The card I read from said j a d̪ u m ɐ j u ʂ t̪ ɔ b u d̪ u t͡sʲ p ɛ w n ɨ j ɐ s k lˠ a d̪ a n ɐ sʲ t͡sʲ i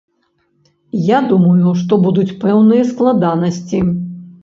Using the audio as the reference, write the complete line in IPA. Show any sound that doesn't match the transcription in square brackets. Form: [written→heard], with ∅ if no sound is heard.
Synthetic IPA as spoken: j a d̪ u m ɐ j u ʂ t̪ ɔ b u d̪ u t͡sʲ p ɛ w n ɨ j ɐ s k lˠ a d̪ a n ɐ sʲ t͡sʲ i